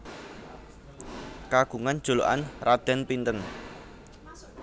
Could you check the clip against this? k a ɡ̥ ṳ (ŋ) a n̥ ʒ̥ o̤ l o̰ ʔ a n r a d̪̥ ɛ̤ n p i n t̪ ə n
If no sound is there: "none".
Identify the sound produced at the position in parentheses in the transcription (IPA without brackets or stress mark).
ŋ